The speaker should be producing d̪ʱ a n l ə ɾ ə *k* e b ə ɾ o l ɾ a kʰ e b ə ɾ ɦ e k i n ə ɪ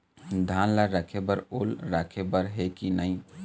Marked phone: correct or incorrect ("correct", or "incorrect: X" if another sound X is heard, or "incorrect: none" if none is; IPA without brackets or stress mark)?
incorrect: kʰ